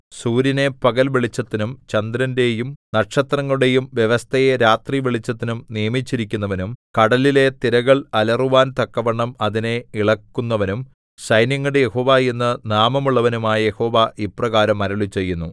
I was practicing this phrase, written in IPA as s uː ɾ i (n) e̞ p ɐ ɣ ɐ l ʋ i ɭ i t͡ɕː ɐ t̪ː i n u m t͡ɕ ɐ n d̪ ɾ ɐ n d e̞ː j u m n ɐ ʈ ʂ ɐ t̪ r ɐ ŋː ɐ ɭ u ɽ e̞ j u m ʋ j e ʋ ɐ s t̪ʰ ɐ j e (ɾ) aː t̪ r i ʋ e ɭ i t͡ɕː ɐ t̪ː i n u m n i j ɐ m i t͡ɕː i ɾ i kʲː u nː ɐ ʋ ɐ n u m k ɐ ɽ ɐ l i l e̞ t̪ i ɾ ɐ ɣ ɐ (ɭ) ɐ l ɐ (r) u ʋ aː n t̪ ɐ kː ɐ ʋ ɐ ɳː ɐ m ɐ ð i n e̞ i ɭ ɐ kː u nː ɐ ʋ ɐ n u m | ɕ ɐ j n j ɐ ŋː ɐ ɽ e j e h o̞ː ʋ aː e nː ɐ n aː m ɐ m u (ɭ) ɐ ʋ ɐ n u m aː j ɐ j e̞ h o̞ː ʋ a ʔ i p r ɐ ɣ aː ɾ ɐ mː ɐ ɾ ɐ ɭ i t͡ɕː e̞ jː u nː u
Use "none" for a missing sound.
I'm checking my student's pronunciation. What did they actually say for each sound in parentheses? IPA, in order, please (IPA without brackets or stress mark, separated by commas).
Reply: n, ɾ, ɭ, r, ɭː